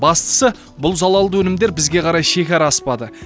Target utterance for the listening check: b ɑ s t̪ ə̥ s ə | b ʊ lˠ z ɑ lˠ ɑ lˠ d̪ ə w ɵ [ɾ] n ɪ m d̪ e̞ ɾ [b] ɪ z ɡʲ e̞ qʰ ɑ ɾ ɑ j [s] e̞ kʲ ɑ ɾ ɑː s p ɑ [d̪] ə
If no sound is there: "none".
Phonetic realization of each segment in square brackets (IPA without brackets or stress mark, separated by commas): none, b, ʃ, d̪